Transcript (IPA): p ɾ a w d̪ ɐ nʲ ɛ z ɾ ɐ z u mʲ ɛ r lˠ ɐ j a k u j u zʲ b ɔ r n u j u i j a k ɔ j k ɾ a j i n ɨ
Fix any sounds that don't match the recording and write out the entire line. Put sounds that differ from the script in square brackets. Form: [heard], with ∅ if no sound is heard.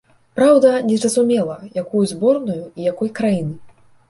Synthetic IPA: p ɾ a w d̪ ɐ nʲ ɛ z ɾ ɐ z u mʲ ɛ [∅] lˠ ɐ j a k u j u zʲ b ɔ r n u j u i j a k ɔ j k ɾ a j i n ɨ